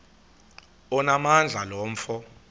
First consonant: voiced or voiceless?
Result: voiced